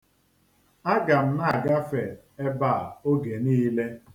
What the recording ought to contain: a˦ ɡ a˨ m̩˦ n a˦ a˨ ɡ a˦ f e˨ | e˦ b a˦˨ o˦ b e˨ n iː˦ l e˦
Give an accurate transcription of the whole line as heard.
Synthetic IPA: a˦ ɡ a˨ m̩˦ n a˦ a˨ ɡ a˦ f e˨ | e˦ b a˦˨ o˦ ɡ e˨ n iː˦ l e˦